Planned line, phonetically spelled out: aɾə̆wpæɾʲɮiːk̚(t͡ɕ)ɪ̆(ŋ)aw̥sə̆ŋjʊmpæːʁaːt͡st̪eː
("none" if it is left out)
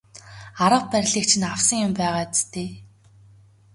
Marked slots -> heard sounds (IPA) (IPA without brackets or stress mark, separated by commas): t͡ɕʰ, n